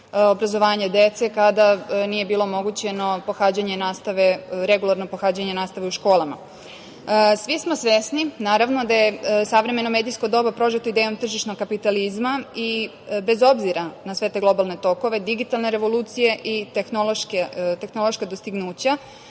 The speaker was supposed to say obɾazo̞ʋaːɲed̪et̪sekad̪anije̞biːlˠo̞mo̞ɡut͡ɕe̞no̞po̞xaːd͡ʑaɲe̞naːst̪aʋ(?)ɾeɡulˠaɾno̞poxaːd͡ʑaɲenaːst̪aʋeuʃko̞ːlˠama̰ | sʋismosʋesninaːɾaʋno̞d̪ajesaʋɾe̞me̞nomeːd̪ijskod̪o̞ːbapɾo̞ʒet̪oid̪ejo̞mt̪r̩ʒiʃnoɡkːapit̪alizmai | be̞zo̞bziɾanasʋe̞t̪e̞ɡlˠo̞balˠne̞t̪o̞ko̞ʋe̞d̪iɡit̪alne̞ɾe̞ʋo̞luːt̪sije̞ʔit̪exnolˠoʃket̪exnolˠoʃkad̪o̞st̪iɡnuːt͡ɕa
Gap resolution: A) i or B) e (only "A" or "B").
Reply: B